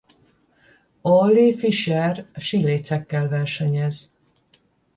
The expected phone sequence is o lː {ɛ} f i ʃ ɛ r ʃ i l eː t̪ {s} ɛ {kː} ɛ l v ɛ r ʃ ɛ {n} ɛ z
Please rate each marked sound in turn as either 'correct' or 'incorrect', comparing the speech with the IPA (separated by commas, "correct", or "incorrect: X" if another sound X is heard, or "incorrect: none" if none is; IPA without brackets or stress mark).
incorrect: i, correct, correct, incorrect: ɲ